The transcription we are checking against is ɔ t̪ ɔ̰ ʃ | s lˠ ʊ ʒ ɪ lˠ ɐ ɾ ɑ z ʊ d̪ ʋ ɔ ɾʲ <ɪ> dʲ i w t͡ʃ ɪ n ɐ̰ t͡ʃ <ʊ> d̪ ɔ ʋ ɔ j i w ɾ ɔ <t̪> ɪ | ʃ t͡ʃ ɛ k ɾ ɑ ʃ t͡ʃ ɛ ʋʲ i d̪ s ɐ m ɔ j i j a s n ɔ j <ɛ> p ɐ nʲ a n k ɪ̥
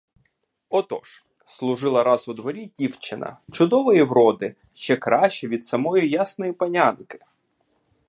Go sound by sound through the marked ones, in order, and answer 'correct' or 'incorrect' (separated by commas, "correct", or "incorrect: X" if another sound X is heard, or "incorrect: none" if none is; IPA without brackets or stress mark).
incorrect: i, correct, incorrect: d̪, incorrect: i